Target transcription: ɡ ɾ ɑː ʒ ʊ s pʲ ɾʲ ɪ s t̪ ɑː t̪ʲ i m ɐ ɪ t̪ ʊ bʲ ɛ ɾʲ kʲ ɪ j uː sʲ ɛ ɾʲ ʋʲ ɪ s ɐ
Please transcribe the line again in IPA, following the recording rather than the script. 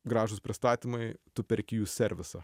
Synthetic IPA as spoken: ɡ ɾ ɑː ʒ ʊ s pʲ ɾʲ ɪ s t̪ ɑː t̪ʲ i m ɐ ɪ t̪ ʊ pʲ ɛ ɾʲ kʲ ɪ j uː sʲ ɛ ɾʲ ʋʲ ɪ s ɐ